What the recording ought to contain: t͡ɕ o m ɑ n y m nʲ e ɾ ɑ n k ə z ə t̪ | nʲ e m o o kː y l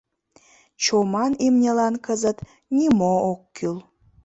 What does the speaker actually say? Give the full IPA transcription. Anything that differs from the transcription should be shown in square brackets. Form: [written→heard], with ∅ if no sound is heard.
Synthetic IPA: t͡ɕ o m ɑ n [y→i] m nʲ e [ɾ→l] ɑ n k ə z ə t̪ | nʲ [e→i] m o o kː y l